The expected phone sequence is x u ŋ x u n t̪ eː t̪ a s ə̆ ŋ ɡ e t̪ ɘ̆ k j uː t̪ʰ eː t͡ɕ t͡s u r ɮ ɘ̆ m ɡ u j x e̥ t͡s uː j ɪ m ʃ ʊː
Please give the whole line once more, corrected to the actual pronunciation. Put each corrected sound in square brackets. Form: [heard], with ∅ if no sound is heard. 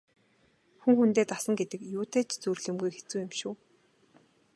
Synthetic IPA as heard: x u ŋ x u n t̪ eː t̪ a s ə̆ ŋ ɡ e t̪ ɘ̆ k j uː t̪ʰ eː t͡ɕ t͡s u r ɮ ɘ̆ m ɡ u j x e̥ t͡s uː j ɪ m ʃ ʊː